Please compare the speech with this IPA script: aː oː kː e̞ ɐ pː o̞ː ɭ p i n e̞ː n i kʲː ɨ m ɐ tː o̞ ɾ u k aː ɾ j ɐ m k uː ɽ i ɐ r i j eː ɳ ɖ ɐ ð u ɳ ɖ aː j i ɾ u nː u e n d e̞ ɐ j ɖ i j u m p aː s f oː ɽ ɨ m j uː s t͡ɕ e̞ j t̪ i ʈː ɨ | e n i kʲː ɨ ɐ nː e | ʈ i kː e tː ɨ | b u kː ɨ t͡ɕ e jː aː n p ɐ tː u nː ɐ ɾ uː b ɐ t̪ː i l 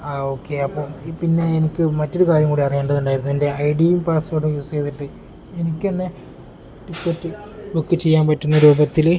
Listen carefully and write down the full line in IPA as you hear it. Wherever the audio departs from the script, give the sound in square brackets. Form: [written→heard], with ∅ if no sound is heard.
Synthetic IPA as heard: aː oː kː e̞ ɐ pː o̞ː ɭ p i [n→nː] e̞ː n i kʲː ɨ m ɐ tː o̞ ɾ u k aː ɾ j ɐ m k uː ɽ i ɐ r i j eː ɳ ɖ ɐ ð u ɳ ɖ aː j i ɾ u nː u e n d e̞ ɐ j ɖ i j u m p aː s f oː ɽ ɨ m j uː s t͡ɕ e̞ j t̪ i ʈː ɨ | e n i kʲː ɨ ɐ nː e | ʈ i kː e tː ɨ | b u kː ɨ t͡ɕ e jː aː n p ɐ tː u nː ɐ ɾ uː b ɐ t̪ː i l